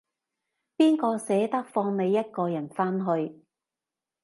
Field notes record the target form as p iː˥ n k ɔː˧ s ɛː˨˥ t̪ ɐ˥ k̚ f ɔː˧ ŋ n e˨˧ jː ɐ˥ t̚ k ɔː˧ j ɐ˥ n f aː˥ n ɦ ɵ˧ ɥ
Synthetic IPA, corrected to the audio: p iː˥ n k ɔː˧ s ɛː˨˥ t̪ ɐ˥ k̚ f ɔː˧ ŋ n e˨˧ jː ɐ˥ t̚ k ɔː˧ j ɐ˨˩ n f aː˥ n ɦ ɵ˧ ɥ